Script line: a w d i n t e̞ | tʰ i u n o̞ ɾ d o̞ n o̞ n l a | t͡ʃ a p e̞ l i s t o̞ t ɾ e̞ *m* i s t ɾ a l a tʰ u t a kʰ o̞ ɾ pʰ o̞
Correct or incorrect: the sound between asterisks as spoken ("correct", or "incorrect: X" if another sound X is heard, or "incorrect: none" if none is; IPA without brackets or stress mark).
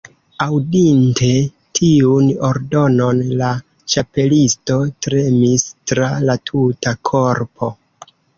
correct